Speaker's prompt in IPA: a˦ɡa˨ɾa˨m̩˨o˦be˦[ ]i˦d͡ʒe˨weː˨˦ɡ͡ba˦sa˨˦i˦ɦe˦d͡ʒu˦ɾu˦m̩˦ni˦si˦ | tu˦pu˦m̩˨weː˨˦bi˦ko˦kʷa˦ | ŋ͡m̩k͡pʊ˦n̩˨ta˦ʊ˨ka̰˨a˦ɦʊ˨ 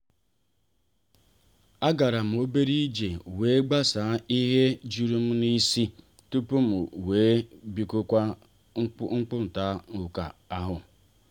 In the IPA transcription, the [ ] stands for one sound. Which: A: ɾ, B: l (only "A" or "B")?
A